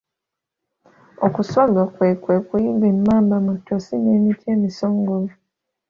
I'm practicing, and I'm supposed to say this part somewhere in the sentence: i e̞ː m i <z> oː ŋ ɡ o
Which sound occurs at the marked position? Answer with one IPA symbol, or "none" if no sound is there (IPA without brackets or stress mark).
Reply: s